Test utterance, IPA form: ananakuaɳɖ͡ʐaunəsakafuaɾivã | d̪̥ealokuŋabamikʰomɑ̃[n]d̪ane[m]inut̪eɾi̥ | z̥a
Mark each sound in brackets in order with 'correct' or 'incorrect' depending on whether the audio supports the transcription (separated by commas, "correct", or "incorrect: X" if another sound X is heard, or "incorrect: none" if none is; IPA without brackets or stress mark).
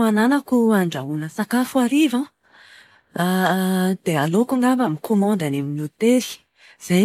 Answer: correct, correct